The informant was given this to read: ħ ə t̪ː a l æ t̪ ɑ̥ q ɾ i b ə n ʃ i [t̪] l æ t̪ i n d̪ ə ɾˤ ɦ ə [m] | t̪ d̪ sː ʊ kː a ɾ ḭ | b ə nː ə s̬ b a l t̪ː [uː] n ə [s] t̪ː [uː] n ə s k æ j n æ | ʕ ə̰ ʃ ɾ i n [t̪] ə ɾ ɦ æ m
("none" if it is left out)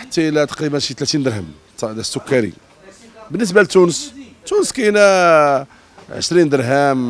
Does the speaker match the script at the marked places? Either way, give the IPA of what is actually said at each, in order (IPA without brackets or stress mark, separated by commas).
t̪, m, u, s, u, d̪